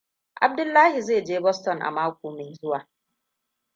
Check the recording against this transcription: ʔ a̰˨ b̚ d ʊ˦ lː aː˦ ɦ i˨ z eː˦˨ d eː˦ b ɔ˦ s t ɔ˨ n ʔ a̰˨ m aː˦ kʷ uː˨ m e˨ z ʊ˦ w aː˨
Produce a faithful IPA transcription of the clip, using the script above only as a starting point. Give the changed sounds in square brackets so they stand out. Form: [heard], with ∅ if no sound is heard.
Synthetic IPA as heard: ʔ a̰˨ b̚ d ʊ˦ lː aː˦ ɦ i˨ z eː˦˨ [d͡ʒ] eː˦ b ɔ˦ s t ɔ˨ n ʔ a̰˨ m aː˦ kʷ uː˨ m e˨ z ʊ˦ w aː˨